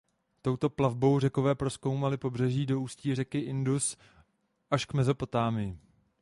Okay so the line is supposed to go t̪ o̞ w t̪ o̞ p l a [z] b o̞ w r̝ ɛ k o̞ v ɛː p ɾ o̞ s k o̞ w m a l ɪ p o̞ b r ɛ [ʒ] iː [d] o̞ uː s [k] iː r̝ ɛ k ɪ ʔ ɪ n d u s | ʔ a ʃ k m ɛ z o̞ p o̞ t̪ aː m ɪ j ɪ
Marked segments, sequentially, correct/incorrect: incorrect, correct, correct, incorrect

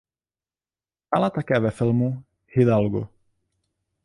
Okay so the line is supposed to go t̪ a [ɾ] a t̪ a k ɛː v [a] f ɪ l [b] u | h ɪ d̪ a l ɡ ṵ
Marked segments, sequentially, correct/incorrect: incorrect, incorrect, incorrect

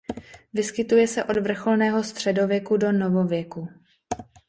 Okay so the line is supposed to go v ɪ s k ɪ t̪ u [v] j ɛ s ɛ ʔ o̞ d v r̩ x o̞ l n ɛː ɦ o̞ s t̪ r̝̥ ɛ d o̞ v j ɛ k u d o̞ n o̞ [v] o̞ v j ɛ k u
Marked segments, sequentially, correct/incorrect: incorrect, correct

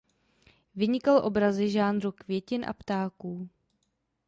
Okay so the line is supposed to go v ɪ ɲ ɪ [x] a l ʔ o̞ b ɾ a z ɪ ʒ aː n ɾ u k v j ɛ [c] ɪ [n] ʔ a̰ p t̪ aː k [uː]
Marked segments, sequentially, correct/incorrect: incorrect, correct, correct, correct

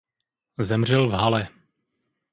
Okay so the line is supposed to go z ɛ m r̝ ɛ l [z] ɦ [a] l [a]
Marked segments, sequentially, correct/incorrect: incorrect, correct, incorrect

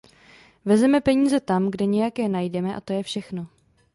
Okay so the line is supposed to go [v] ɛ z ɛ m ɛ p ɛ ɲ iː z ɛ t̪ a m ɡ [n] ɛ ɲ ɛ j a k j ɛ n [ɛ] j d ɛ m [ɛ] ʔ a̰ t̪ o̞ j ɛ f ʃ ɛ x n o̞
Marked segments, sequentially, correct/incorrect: correct, incorrect, incorrect, correct

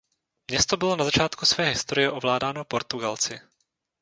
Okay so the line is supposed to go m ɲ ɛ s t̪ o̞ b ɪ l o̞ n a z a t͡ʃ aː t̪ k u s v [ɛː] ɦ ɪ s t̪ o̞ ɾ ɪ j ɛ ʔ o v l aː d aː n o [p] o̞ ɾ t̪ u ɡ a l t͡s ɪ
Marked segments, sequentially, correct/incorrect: correct, correct

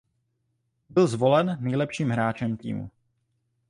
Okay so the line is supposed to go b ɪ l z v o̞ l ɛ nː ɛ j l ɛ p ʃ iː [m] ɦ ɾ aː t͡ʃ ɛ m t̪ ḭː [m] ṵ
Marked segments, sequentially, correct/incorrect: correct, correct

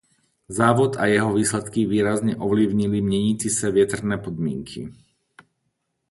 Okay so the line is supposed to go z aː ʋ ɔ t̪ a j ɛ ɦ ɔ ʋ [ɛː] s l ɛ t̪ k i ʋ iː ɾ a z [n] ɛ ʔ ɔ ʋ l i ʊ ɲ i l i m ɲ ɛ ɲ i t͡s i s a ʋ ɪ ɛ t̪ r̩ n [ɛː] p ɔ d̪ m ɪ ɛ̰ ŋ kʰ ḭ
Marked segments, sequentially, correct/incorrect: incorrect, incorrect, correct

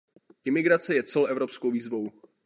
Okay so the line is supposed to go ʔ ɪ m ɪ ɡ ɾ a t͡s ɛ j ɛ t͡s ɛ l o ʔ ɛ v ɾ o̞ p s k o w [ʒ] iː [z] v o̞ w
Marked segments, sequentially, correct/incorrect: incorrect, correct

